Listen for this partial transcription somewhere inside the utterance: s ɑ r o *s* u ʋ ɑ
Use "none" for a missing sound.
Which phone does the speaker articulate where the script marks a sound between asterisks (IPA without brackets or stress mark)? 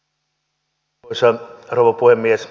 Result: none